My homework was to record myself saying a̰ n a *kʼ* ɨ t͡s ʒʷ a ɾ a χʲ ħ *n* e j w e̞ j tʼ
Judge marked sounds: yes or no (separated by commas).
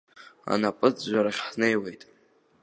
no, yes